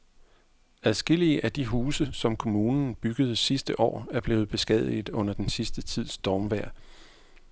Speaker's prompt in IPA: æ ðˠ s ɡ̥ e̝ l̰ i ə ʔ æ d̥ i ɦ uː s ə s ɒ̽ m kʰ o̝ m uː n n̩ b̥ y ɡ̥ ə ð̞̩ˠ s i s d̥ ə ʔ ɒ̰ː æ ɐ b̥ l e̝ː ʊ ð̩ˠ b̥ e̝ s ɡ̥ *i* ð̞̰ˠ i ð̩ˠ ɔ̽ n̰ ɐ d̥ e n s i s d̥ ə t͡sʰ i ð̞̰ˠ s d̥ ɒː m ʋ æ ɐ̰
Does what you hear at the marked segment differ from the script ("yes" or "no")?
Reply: yes